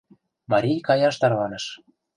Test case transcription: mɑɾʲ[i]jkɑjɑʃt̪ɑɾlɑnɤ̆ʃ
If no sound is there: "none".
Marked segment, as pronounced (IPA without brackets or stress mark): i